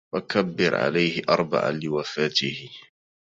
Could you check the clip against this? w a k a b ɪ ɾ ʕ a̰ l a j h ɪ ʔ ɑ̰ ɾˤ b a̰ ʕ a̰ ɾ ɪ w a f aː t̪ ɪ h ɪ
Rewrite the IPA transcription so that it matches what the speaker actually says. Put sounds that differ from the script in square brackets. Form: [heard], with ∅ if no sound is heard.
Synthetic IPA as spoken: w a k a [bː] ɪ ɾ ʕ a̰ l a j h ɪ ʔ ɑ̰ ɾˤ b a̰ ʕ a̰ [l] ɪ w a f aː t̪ ɪ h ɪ